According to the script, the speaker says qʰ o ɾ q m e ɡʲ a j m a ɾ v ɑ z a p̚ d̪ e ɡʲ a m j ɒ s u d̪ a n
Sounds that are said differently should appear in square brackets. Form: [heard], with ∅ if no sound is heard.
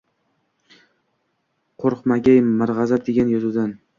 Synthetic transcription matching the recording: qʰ o ɾ q m [a] ɡʲ a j m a ɾ [ʁ] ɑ z a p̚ d̪ e ɡʲ a [n] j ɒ [z] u d̪ a n